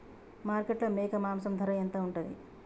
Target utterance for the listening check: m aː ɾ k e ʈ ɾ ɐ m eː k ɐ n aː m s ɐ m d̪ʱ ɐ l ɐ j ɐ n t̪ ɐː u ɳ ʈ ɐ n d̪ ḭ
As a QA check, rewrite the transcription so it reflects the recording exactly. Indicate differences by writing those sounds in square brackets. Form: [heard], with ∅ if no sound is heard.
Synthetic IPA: m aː ɾ k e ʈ [l] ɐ m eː k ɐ [m] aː m s ɐ m d̪ʱ ɐ [ɾ] ɐ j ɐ n t̪ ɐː u ɳ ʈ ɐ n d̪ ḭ